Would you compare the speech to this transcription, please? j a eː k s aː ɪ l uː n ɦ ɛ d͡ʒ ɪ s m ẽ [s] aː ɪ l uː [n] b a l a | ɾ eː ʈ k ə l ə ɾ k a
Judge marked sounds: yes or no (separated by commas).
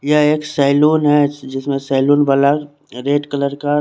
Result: yes, yes